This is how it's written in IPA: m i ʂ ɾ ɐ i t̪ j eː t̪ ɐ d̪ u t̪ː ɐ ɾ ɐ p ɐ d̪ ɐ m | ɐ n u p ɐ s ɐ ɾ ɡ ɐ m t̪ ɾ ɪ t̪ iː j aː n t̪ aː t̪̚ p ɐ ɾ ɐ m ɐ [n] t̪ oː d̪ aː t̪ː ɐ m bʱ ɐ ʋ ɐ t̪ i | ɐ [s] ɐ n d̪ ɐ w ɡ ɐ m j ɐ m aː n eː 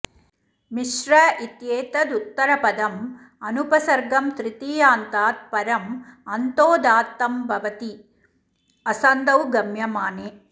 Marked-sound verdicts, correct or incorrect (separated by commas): correct, correct